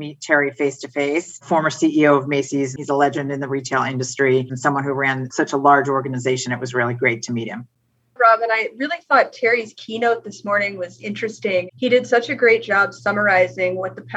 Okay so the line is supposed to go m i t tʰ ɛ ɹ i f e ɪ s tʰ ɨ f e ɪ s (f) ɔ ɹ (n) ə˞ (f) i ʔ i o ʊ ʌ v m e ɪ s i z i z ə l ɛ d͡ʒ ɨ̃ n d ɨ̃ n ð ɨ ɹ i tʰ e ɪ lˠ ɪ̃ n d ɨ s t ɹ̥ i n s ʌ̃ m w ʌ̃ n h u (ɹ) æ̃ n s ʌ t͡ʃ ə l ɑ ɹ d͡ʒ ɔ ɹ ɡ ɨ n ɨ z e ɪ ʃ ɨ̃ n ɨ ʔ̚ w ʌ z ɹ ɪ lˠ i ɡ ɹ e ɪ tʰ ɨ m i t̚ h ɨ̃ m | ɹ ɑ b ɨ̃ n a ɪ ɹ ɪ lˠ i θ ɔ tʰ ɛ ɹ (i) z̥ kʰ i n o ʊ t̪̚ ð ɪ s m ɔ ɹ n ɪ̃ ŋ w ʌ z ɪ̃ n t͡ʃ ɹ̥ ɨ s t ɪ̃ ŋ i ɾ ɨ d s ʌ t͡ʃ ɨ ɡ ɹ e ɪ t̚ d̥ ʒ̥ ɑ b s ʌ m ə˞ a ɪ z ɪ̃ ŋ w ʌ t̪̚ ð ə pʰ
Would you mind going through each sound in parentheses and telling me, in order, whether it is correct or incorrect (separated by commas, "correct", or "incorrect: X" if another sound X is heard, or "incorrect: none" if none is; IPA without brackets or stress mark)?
correct, incorrect: m, incorrect: s, correct, correct